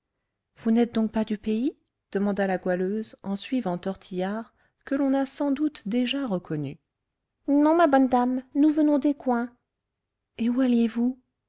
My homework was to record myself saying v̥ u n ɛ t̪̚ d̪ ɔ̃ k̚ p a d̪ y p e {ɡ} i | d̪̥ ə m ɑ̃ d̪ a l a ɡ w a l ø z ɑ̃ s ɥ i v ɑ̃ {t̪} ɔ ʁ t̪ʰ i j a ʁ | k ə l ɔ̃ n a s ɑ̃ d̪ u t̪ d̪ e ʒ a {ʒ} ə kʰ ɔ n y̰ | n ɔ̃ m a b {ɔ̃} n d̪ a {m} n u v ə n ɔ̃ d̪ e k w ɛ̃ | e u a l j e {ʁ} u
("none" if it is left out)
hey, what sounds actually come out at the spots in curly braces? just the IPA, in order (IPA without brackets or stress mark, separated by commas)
none, t̪, ʁ, ɔ, m, v